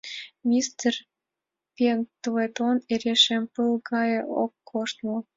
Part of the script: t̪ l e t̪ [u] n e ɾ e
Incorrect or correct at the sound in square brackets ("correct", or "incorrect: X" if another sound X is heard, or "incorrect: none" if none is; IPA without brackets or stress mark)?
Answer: incorrect: o